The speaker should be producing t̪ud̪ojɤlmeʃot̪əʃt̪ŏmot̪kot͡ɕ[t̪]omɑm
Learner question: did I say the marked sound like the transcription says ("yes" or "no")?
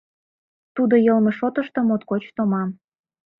yes